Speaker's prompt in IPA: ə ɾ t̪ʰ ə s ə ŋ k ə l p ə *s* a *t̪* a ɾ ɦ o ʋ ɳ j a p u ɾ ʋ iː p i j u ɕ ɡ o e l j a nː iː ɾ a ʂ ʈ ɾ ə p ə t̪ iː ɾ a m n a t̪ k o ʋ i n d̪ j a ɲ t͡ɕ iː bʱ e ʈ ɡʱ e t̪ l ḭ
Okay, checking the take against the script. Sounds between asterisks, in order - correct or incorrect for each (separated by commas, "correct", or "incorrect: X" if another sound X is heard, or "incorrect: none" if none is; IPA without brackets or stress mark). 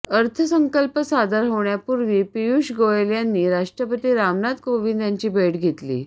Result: correct, incorrect: d̪